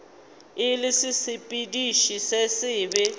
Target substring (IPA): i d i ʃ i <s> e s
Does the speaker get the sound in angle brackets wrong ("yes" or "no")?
no